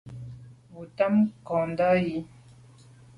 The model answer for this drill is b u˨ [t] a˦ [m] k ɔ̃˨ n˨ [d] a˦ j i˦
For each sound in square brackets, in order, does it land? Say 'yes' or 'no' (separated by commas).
yes, yes, yes